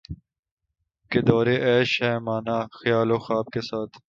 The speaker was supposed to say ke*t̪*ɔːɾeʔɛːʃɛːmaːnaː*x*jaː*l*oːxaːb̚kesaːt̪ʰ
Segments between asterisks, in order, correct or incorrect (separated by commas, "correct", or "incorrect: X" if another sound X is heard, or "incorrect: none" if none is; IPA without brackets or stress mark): incorrect: d̪, correct, correct